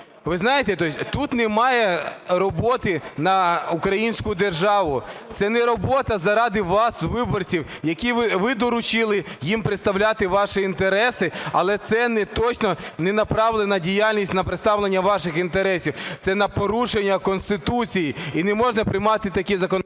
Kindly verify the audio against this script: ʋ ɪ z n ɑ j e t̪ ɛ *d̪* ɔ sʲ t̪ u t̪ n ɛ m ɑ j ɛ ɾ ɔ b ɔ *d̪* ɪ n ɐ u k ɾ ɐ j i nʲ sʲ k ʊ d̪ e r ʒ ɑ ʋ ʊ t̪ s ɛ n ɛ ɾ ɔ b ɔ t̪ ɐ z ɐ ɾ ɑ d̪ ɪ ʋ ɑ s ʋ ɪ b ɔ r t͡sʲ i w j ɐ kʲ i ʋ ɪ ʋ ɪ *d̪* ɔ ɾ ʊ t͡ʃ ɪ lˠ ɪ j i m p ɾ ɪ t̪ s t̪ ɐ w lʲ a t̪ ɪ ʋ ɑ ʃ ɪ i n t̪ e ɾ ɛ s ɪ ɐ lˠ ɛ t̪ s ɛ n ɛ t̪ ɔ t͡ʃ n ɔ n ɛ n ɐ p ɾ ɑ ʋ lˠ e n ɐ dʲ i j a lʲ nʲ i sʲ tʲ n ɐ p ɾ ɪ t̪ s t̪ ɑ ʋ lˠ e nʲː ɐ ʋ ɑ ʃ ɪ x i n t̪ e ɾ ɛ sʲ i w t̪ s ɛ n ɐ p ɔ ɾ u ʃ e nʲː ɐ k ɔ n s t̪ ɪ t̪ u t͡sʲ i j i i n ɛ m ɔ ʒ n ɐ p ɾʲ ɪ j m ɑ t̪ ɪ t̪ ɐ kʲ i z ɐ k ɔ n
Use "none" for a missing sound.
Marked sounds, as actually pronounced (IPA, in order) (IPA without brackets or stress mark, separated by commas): t̪, t̪, d̪